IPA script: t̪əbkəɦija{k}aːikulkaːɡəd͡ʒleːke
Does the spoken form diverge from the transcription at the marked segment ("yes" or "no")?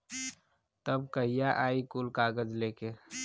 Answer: yes